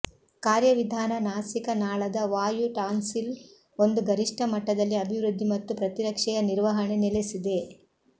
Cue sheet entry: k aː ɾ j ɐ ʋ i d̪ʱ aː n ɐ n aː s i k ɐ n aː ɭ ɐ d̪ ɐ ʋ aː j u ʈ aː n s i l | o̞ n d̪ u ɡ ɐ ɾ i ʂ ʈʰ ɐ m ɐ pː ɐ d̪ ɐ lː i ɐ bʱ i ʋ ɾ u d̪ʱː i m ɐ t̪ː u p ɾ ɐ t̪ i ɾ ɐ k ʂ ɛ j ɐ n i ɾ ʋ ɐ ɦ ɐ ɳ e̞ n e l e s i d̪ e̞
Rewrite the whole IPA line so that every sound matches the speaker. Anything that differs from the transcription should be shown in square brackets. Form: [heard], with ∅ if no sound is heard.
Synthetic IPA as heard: k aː ɾ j ɐ ʋ i d̪ʱ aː n ɐ n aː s i k ɐ n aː ɭ ɐ d̪ ɐ ʋ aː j u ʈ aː n s i l | o̞ n d̪ u ɡ ɐ ɾ i ʂ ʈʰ ɐ m ɐ [ʈː] ɐ d̪ ɐ lː i ɐ bʱ i ʋ ɾ u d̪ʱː i m ɐ t̪ː u p ɾ ɐ t̪ i ɾ ɐ k ʂ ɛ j ɐ n i ɾ ʋ ɐ ɦ ɐ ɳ e̞ n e l e s i d̪ e̞